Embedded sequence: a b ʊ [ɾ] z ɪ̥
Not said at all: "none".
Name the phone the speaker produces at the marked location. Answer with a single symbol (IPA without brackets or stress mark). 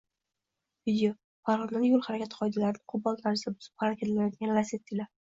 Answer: none